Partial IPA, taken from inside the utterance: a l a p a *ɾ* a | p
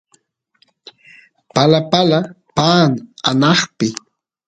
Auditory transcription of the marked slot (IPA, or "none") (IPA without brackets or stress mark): l